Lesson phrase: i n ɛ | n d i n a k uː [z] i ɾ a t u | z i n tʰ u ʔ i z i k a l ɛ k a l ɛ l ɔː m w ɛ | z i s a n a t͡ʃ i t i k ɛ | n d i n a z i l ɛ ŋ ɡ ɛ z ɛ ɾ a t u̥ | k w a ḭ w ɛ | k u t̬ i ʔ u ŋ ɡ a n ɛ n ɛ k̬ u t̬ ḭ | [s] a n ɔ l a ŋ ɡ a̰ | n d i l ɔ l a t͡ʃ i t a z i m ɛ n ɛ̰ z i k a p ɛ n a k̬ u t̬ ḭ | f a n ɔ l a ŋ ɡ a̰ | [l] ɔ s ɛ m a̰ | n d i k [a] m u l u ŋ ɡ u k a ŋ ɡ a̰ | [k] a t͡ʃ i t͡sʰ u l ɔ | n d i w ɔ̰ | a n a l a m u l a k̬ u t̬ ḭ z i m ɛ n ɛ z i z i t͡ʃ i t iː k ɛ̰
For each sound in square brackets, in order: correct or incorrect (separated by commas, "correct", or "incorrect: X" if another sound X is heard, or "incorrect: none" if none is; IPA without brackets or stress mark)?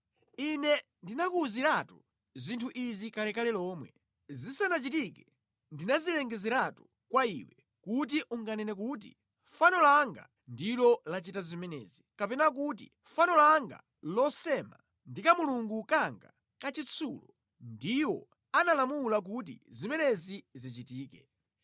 correct, incorrect: f, correct, correct, correct